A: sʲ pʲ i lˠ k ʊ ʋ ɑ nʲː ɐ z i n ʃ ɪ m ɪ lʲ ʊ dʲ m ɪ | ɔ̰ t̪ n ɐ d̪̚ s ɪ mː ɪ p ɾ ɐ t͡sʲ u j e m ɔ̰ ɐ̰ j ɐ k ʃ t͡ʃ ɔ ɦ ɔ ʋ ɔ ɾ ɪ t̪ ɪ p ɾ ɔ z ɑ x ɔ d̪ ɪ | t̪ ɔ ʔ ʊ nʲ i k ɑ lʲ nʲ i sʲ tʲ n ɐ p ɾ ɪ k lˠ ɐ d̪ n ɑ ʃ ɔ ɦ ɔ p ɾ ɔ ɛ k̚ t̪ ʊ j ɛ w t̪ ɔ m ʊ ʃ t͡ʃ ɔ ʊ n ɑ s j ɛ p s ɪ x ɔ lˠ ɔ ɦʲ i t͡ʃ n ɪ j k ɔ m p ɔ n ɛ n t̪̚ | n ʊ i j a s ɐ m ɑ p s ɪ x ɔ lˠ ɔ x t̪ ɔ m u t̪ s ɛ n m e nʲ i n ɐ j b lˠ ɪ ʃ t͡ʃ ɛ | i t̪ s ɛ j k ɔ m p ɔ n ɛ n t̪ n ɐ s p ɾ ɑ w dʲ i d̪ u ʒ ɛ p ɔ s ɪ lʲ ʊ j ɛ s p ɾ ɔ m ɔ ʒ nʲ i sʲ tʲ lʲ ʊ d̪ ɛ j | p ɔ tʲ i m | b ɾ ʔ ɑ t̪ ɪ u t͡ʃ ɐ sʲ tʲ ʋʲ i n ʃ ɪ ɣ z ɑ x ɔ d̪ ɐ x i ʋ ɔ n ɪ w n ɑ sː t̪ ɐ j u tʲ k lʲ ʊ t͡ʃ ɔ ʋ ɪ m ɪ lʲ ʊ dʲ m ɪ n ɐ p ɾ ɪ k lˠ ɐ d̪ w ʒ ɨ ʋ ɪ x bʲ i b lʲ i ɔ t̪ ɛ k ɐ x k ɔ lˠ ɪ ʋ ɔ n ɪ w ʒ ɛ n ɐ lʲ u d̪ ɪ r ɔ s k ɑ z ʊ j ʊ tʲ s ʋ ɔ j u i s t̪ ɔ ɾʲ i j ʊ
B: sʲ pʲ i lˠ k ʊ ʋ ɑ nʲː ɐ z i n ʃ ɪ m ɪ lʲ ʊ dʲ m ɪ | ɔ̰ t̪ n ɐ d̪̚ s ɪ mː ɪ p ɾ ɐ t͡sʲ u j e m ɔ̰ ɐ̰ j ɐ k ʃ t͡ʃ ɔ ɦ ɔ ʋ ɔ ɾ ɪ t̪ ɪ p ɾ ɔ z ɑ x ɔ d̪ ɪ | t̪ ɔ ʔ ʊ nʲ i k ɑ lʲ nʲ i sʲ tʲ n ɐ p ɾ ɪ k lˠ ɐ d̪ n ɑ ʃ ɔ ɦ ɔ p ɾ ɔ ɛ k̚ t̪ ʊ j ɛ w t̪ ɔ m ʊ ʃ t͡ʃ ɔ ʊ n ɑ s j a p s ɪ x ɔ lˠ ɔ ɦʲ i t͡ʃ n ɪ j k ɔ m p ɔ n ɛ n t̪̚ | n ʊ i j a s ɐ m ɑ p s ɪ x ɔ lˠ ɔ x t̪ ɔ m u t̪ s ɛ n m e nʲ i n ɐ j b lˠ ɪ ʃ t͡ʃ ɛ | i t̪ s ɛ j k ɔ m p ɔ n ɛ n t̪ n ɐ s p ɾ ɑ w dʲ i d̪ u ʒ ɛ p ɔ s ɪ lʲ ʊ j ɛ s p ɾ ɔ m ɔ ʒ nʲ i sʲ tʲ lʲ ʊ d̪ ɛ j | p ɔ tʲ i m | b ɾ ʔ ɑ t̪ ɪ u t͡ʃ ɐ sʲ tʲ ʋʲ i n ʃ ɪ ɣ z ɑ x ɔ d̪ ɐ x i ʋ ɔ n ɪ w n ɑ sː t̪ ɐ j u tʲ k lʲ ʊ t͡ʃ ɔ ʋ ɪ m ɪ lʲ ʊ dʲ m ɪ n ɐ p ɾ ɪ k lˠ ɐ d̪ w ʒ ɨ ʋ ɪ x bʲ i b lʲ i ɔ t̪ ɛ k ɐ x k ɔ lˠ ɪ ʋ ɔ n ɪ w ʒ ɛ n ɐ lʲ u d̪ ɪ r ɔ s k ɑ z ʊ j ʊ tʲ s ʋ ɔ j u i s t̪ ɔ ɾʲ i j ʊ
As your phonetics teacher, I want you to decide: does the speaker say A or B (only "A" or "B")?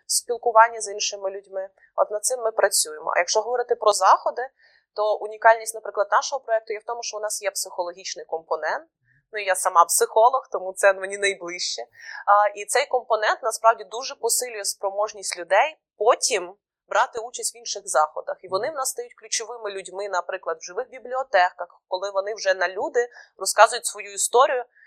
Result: A